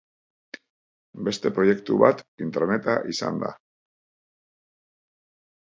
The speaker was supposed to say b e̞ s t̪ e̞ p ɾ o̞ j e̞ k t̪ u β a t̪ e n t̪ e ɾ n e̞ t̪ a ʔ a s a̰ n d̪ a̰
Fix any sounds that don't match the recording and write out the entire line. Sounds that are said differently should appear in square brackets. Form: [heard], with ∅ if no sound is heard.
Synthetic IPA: b e̞ s t̪ e̞ p ɾ o̞ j e̞ k t̪ u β a t̪ [i] n t̪ e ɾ n e̞ t̪ a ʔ [i] s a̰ n d̪ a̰